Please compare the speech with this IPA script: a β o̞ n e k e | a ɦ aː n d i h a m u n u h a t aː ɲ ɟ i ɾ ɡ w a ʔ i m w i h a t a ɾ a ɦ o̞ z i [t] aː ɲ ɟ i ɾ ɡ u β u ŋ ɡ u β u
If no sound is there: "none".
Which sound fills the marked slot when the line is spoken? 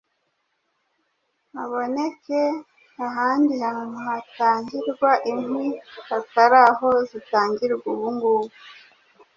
t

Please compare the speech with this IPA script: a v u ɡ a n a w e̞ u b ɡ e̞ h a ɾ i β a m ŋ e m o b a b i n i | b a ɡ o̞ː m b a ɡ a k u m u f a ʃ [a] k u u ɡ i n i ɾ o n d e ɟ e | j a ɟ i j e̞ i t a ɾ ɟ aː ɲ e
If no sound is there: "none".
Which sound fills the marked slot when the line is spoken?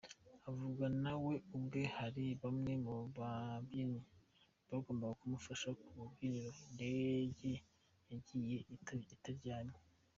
a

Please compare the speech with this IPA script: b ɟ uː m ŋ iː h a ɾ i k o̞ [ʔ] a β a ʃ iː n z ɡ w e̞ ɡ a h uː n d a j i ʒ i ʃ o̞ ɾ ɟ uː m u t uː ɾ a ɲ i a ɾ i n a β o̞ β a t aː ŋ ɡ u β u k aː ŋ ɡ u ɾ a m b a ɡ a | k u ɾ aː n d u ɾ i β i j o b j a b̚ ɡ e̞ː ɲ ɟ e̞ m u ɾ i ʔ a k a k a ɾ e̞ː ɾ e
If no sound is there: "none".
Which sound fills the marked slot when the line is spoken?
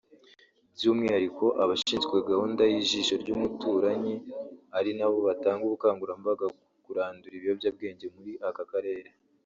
ʔ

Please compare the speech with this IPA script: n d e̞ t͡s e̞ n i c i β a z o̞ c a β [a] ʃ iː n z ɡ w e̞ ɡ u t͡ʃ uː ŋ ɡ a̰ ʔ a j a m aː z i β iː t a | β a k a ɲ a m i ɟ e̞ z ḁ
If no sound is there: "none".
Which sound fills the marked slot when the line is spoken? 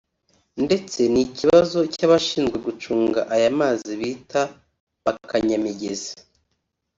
a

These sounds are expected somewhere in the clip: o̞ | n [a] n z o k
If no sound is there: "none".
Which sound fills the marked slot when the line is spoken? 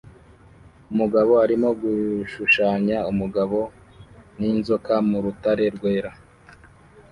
i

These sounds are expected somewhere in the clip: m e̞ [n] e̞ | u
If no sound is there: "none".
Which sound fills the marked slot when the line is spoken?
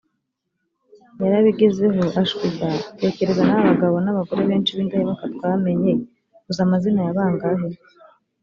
ɲ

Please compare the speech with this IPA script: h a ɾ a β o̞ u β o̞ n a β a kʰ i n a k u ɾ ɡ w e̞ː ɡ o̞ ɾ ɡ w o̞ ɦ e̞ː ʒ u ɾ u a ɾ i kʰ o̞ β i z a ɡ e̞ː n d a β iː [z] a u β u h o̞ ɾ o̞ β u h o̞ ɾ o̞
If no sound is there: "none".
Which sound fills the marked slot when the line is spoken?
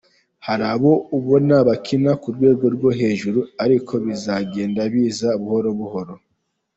z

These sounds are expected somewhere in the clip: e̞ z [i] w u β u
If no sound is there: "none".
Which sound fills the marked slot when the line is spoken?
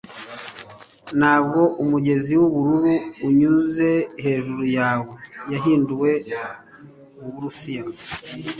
i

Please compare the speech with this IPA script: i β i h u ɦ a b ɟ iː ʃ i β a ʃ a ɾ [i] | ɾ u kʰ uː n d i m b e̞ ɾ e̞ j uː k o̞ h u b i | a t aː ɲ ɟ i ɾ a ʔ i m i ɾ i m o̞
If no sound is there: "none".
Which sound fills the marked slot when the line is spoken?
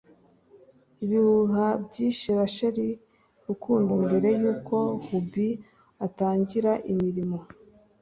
i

